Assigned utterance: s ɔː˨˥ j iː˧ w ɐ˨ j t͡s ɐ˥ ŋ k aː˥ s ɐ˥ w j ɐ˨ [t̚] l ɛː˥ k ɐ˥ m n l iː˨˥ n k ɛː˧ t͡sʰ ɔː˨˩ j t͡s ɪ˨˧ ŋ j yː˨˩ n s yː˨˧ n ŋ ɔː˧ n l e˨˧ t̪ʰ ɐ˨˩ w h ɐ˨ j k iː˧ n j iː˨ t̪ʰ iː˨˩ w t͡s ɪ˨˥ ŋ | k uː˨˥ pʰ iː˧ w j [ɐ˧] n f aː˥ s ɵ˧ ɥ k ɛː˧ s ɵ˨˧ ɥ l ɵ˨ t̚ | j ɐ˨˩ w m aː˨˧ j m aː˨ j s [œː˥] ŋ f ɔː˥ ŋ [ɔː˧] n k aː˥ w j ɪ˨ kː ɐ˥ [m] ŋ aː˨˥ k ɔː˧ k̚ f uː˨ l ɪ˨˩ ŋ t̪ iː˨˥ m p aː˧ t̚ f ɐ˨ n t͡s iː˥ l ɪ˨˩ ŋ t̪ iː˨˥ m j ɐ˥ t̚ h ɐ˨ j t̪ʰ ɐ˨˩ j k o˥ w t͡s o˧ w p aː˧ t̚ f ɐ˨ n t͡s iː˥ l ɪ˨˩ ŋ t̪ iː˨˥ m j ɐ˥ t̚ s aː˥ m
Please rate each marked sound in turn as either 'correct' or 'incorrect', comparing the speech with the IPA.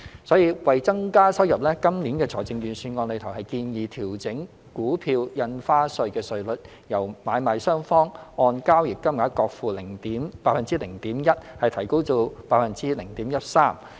incorrect: p̚, correct, correct, correct, correct

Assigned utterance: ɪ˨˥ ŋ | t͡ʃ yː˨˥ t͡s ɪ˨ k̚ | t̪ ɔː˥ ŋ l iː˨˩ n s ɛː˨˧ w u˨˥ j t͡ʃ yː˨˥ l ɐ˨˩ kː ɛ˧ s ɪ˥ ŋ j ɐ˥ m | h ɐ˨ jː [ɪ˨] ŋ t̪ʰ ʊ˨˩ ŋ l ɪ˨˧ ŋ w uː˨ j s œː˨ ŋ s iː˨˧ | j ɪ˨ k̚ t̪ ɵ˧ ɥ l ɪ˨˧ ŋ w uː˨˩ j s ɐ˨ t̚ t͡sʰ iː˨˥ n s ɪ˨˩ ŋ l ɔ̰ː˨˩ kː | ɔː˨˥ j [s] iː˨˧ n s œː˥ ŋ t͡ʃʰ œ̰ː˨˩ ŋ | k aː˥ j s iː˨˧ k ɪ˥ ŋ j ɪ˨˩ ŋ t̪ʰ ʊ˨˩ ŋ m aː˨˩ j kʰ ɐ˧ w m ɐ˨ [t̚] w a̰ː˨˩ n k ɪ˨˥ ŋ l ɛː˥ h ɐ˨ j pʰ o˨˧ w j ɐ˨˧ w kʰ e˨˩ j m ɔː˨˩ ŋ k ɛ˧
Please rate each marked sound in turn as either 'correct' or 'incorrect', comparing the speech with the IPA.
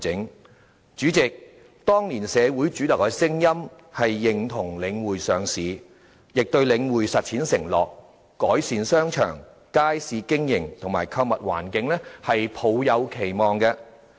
correct, correct, correct

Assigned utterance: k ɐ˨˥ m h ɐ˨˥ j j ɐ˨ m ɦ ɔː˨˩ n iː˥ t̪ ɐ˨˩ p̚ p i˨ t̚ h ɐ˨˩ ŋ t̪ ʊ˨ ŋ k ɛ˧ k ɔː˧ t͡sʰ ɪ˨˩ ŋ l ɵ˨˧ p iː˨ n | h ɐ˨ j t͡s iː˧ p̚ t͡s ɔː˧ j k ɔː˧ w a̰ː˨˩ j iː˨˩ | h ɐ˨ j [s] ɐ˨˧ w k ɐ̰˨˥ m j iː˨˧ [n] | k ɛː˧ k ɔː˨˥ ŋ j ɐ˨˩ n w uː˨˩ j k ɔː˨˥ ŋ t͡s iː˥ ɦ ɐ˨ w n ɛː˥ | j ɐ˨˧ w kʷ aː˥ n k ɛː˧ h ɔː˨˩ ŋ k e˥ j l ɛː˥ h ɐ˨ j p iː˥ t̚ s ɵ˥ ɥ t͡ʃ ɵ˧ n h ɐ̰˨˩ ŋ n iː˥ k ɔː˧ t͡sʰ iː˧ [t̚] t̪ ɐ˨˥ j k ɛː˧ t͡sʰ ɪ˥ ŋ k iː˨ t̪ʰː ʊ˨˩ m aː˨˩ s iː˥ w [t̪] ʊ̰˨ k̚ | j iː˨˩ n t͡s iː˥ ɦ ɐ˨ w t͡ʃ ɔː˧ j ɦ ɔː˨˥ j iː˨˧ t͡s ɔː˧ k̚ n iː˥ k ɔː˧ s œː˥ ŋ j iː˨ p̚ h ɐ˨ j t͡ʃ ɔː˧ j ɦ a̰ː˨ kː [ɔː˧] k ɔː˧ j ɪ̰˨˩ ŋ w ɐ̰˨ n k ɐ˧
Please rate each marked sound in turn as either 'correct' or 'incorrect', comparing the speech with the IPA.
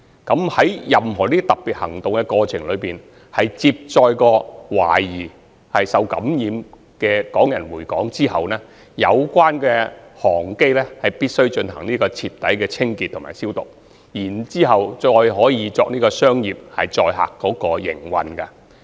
correct, incorrect: m, incorrect: p̚, correct, incorrect: ɔː˨˥

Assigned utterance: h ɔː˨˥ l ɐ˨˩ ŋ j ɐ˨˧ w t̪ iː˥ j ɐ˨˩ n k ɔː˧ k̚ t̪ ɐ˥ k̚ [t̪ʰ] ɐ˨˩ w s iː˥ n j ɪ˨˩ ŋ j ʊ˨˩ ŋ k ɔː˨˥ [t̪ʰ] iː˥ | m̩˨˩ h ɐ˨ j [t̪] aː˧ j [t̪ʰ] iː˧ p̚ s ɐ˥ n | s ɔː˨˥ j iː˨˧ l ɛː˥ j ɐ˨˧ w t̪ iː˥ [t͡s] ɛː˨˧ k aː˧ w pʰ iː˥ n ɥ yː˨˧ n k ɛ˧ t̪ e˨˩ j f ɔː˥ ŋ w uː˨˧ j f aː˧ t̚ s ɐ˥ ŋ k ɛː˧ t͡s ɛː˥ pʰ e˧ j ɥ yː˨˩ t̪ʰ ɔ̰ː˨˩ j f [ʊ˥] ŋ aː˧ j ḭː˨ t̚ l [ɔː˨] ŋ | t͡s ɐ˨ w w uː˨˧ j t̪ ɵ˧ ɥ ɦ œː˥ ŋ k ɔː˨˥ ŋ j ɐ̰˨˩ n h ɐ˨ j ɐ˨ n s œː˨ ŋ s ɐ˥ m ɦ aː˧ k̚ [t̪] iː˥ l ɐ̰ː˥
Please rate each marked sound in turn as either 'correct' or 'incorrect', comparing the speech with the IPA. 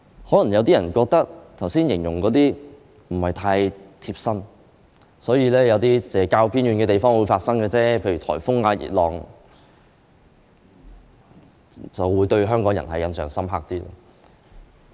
correct, incorrect: t̪, incorrect: t̪ʰ, correct, correct, correct, correct, correct

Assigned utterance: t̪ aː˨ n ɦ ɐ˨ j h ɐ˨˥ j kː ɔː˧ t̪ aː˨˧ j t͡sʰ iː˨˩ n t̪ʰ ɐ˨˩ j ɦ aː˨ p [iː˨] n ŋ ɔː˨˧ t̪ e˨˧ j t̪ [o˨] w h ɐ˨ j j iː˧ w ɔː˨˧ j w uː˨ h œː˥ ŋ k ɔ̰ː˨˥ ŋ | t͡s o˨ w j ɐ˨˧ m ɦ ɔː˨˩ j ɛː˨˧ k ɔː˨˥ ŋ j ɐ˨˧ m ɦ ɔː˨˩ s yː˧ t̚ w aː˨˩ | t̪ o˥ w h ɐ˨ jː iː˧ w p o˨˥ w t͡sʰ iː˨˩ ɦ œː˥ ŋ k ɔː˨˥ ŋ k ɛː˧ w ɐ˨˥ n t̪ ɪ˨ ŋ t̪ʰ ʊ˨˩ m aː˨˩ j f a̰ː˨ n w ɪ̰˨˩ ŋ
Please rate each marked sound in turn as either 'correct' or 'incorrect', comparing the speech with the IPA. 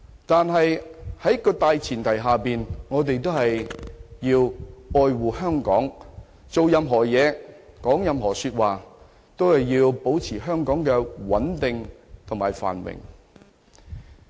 correct, incorrect: o˥

